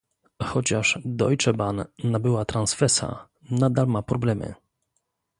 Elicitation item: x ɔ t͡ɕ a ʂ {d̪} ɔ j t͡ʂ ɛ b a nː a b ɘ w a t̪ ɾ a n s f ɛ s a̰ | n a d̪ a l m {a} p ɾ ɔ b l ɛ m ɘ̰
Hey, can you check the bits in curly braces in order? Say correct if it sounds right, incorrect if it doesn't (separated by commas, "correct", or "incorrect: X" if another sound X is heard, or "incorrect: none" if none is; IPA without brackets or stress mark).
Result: correct, correct